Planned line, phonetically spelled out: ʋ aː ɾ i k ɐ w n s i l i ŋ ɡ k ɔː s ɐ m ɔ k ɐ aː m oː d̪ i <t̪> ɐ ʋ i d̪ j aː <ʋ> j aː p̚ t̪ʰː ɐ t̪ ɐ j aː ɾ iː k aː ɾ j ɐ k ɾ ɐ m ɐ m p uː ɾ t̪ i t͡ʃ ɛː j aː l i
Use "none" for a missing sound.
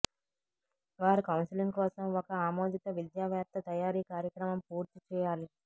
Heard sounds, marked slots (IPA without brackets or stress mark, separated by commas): t̪, ʋ